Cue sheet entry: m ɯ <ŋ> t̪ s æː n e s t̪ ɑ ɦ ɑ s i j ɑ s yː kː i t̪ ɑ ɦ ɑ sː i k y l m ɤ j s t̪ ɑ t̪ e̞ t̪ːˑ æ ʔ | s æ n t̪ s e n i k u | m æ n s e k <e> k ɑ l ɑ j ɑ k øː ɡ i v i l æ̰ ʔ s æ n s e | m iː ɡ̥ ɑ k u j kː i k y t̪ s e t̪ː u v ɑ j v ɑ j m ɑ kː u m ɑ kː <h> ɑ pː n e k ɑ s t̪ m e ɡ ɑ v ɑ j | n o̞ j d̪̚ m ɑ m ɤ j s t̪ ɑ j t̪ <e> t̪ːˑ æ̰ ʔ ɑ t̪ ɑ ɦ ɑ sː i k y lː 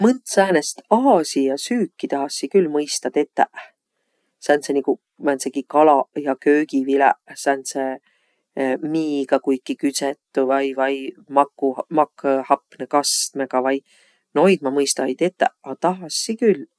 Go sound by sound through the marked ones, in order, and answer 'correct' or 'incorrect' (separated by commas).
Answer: incorrect, incorrect, correct, correct